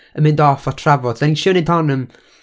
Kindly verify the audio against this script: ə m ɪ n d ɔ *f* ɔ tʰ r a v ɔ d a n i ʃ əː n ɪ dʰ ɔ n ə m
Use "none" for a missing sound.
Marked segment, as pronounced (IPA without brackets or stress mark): f